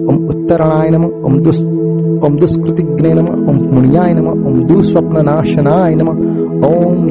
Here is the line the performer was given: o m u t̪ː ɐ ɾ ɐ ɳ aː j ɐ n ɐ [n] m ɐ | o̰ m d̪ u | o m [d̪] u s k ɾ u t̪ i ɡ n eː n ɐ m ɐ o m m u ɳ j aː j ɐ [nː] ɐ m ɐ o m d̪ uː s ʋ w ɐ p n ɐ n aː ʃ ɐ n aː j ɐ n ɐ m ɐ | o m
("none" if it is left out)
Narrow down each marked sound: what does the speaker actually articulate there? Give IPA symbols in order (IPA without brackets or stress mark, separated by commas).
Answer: none, d̪, n